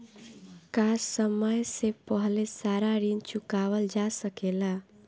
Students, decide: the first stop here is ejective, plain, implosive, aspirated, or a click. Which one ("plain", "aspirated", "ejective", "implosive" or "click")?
plain